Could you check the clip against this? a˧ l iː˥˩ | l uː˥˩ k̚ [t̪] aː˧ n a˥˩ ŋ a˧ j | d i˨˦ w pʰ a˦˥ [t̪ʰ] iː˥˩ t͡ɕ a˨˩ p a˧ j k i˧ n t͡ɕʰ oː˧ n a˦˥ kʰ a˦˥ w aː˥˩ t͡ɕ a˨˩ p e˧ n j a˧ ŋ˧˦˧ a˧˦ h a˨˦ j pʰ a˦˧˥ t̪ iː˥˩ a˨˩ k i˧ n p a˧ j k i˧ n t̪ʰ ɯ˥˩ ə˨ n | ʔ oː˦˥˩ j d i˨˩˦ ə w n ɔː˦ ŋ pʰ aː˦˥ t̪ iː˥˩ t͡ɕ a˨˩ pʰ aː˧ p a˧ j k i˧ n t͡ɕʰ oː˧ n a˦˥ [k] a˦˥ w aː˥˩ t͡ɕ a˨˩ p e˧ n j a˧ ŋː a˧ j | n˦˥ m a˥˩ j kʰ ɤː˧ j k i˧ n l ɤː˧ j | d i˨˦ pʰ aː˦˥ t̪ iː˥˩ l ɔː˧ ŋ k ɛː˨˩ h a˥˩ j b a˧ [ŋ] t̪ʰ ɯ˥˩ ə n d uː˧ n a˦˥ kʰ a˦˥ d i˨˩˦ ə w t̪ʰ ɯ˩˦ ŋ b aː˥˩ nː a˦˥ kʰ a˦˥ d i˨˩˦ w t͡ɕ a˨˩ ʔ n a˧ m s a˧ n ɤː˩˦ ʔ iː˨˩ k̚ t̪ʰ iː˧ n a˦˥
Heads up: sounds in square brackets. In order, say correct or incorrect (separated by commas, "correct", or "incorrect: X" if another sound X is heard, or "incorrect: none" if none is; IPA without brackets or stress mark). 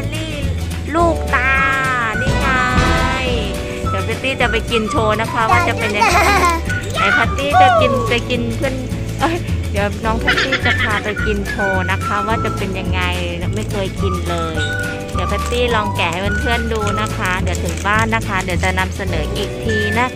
correct, incorrect: t̪, incorrect: kʰ, incorrect: n